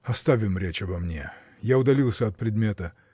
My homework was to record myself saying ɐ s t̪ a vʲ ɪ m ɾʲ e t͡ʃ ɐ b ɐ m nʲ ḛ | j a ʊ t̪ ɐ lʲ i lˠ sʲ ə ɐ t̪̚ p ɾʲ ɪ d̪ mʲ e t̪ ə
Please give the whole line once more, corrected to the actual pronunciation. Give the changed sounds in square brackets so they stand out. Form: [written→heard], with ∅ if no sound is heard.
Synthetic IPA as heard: ɐ s t̪ a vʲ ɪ m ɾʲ e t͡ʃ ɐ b ɐ m nʲ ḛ | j a ʊ [t̪→d̪] ɐ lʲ i lˠ sʲ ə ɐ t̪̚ p ɾʲ ɪ d̪ mʲ e t̪ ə